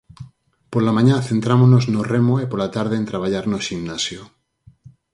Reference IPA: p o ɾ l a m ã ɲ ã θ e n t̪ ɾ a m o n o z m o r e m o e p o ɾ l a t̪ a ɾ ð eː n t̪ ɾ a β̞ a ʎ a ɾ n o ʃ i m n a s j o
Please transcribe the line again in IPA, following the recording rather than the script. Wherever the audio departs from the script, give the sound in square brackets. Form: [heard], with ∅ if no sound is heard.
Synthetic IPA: p o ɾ l a m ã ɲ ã θ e n t̪ ɾ a m o n o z [n] o r e m o e p o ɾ l a t̪ a ɾ ð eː n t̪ ɾ a β̞ a ʎ a ɾ n o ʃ i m n a s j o